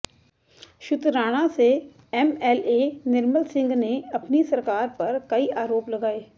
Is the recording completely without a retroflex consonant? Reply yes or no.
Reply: no